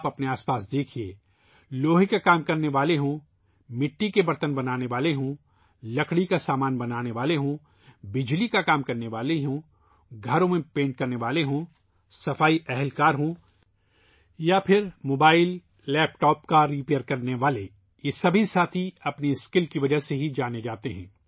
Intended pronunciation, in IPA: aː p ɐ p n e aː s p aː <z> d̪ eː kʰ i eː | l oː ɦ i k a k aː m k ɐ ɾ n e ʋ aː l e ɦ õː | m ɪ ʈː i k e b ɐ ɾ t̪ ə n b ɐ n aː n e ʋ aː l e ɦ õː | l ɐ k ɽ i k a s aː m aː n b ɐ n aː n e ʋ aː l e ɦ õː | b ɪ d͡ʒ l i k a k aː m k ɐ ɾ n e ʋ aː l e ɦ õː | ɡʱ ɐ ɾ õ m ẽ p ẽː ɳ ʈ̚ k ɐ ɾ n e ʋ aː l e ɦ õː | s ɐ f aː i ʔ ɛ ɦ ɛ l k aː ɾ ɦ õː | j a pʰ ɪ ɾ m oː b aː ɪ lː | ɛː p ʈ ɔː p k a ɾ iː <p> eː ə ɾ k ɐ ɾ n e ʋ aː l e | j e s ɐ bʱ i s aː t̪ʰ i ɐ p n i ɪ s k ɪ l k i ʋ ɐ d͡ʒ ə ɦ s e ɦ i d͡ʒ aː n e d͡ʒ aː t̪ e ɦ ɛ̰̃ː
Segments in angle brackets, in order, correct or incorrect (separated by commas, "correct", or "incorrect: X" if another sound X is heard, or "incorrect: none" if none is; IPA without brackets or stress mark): incorrect: s, correct